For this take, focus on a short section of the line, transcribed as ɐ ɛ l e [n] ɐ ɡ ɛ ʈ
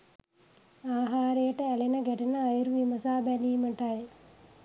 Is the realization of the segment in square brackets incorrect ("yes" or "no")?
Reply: no